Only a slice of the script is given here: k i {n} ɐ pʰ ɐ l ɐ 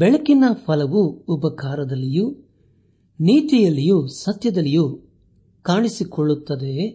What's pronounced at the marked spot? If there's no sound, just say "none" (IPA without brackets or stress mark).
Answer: n